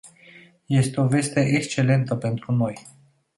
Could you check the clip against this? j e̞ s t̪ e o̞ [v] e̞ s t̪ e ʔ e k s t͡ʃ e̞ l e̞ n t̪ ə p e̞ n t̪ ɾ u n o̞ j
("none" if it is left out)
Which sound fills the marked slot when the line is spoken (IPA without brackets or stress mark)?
v